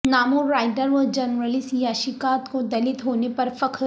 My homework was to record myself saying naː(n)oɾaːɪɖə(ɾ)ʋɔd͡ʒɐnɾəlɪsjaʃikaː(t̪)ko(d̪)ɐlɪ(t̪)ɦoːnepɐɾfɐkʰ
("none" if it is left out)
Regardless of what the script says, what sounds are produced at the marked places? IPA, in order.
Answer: m, ɾ, t̪, d̪, t̪

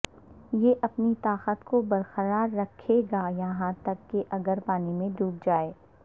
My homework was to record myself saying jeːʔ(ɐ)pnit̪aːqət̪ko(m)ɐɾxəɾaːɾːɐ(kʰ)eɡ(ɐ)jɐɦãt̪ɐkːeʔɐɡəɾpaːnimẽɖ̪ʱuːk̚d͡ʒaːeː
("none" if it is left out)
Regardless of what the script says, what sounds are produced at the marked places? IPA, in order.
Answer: ɐ, b, kʰ, a

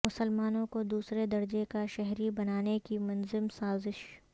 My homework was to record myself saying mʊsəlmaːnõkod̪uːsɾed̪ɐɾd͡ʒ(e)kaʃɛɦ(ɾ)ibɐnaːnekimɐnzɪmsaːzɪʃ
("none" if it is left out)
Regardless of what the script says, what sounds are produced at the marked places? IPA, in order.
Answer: e, ɾ

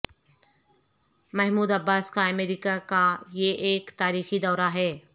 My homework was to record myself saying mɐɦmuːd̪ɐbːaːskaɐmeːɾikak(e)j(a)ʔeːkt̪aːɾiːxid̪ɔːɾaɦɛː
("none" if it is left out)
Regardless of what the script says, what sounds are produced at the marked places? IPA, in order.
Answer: a, e

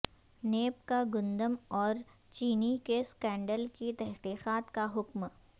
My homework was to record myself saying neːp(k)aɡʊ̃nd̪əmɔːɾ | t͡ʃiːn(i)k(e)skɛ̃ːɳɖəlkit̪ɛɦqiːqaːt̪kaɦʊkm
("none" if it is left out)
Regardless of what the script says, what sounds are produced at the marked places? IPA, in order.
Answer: k, i, e

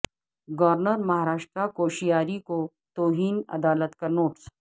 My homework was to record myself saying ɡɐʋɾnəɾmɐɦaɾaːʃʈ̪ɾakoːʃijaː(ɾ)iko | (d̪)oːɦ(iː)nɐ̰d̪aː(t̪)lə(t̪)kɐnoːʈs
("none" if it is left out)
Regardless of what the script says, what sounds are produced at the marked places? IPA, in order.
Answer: ɾ, t̪, iː, none, t̪

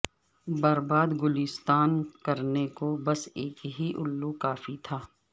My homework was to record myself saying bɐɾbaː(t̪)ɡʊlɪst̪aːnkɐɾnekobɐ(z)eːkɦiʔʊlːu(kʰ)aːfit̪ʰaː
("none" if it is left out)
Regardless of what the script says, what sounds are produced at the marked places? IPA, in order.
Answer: d̪, s, k

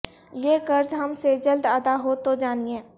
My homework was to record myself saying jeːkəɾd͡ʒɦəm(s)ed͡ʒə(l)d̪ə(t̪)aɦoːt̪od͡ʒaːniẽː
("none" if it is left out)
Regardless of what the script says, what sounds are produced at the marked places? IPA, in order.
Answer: s, l, d̪

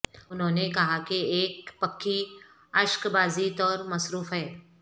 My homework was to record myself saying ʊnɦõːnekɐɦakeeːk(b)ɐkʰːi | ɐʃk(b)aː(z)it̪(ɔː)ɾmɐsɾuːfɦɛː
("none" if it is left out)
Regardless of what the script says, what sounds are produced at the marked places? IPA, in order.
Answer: p, b, z, ɔː

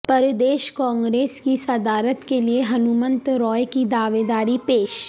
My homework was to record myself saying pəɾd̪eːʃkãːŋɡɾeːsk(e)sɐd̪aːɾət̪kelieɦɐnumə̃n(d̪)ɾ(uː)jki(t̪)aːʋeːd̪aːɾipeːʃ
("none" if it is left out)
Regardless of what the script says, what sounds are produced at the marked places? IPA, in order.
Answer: i, t̪, ɔː, d̪

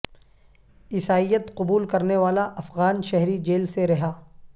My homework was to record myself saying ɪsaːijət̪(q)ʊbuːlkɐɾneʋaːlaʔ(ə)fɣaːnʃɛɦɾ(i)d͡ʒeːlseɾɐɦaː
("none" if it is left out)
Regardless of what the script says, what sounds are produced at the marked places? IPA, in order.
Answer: q, ɐ, i

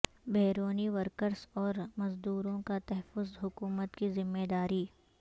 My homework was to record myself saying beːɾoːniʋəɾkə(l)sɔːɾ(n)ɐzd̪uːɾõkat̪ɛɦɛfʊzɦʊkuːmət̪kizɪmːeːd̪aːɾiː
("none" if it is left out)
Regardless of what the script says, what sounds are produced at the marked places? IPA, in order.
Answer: ɾ, m

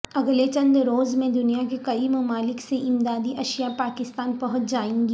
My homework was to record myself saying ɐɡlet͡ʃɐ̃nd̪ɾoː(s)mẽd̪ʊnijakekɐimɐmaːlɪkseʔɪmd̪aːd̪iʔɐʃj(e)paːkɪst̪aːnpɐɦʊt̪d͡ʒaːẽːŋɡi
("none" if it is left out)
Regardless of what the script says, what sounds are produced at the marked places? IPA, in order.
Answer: z, a

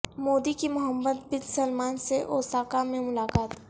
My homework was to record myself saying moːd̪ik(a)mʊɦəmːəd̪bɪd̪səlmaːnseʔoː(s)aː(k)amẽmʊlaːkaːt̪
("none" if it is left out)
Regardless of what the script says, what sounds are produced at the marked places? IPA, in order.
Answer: i, s, k

